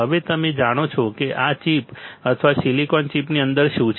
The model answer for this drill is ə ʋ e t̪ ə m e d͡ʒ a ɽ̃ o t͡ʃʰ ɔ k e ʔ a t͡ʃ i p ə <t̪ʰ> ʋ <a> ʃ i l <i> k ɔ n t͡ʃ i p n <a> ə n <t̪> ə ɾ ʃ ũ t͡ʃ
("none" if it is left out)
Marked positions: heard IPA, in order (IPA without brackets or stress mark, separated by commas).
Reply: t̪ʰ, a, i, i, d̪